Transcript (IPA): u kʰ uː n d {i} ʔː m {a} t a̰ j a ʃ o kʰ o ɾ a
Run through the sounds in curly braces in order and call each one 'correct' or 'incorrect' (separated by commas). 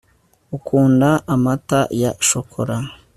incorrect, correct